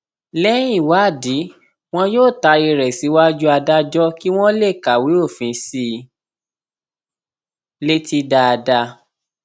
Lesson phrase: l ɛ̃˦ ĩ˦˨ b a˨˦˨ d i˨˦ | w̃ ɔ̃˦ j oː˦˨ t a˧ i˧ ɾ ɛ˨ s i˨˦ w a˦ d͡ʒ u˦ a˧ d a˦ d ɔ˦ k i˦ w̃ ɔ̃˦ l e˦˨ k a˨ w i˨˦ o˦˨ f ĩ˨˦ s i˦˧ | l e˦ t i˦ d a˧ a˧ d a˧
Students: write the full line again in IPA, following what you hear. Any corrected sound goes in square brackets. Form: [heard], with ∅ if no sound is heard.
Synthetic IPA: l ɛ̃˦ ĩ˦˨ [w] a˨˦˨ d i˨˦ | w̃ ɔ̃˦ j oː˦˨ t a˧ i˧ ɾ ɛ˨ s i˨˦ w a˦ d͡ʒ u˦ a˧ d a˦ [d͡ʒ] ɔ˦ k i˦ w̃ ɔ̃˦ l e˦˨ k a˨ w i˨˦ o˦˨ f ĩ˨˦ s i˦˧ | l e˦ t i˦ d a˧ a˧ d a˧